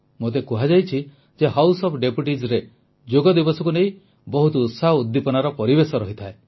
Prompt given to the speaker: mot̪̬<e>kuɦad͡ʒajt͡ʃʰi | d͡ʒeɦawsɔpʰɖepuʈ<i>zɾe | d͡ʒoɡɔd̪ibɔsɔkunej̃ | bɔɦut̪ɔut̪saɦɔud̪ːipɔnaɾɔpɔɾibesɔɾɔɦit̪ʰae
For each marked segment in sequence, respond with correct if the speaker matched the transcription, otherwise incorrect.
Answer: correct, correct

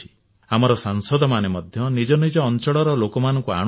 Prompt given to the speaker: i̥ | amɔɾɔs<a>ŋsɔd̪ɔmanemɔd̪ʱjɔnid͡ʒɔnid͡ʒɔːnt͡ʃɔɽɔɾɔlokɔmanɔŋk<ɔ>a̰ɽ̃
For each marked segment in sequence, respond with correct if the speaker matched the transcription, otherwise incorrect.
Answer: correct, incorrect: u

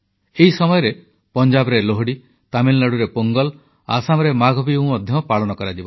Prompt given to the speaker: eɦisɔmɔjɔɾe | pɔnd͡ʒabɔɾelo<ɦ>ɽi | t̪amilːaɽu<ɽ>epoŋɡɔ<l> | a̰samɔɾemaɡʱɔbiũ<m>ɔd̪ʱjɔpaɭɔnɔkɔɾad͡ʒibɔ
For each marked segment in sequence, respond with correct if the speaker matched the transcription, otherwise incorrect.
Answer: correct, incorrect: ɾ, correct, correct

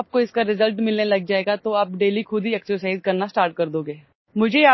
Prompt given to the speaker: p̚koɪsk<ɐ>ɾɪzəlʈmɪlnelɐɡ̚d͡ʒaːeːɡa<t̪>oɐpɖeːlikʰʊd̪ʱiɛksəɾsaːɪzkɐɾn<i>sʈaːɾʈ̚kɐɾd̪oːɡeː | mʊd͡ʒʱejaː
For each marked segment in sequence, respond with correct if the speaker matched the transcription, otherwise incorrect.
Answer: incorrect: a, correct, incorrect: a

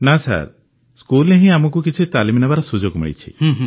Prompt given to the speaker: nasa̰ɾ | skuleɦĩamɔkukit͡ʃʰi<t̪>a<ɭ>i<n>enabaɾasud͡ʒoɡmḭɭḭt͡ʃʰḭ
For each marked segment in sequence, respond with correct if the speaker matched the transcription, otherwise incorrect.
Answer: correct, incorrect: l, incorrect: m

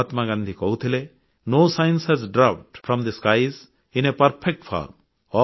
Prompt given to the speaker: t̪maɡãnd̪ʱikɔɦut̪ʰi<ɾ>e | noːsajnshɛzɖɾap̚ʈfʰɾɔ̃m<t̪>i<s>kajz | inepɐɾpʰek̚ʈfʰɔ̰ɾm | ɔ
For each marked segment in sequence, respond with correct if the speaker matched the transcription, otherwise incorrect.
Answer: incorrect: l, incorrect: d̪, correct

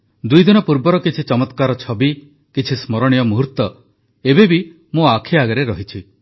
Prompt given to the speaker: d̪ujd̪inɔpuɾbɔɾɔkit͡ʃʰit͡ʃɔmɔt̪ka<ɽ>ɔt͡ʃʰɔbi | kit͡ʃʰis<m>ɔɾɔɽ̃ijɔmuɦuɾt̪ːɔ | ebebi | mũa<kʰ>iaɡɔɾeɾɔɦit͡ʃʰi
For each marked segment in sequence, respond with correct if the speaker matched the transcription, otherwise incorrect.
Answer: incorrect: ɾ, correct, correct

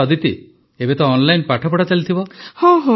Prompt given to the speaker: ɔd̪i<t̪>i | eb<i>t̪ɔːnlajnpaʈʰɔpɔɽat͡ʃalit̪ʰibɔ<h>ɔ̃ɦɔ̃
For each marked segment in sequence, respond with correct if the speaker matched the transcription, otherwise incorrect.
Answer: correct, incorrect: e, correct

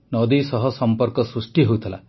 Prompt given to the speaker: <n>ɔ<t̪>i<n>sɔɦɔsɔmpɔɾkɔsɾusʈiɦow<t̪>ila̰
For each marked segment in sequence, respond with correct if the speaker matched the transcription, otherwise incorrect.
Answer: correct, incorrect: d̪, incorrect: none, incorrect: t̪ʰ

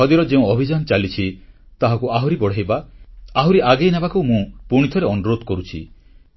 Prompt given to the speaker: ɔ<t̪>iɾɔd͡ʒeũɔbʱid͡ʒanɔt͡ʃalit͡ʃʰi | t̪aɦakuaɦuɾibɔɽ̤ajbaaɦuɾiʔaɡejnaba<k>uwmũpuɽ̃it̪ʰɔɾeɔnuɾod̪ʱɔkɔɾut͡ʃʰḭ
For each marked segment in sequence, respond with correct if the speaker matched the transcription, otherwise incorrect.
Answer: incorrect: d̪, correct

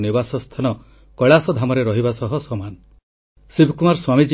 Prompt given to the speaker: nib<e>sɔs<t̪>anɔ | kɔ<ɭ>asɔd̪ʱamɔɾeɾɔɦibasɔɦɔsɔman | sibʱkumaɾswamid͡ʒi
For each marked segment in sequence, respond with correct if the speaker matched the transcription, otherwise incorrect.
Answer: incorrect: a, incorrect: t̪ʰ, correct

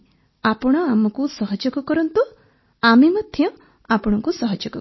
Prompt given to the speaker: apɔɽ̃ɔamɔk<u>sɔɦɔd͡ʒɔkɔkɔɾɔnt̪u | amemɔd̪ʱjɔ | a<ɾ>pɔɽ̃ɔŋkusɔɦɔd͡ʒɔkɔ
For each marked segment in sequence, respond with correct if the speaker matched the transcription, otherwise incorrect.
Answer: correct, incorrect: none

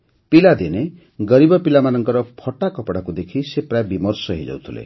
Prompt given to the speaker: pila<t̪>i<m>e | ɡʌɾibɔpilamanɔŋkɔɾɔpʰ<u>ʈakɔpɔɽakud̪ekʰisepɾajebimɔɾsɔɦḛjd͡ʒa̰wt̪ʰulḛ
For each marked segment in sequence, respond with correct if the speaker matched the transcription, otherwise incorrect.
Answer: incorrect: d̪, incorrect: n, incorrect: ɔ

